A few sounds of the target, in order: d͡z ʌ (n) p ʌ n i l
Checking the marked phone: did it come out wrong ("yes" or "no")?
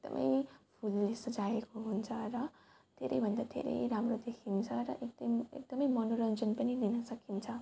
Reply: no